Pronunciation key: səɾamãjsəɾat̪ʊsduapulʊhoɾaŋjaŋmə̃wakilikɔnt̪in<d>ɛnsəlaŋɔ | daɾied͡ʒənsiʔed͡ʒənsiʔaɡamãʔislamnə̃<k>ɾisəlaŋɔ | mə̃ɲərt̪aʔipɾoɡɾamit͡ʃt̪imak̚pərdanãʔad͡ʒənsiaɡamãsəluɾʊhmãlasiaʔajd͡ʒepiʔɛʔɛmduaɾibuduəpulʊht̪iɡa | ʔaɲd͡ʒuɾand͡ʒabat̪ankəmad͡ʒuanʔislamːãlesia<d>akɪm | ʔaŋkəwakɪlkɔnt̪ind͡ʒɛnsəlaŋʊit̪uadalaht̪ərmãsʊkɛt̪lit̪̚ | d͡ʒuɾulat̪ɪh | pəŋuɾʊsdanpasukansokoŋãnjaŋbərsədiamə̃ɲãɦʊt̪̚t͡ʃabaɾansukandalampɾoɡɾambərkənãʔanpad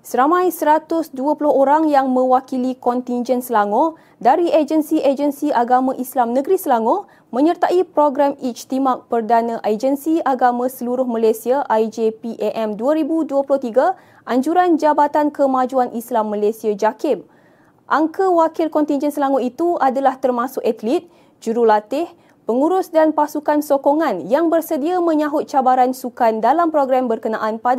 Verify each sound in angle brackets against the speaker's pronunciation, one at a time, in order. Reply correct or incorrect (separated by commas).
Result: incorrect, incorrect, incorrect